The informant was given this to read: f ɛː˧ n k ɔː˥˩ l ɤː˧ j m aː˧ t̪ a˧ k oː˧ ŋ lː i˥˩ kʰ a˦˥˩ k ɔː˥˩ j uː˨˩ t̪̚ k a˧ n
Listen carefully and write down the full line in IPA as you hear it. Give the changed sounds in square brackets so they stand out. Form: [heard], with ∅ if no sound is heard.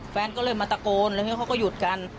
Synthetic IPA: f ɛː˧ n k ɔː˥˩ l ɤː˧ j m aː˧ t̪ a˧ k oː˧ [n] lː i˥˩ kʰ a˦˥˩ k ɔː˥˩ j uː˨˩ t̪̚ k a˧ n